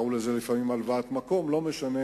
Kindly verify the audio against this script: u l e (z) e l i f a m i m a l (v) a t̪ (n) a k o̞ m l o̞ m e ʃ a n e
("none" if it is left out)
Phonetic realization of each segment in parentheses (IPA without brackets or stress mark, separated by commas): z, v, m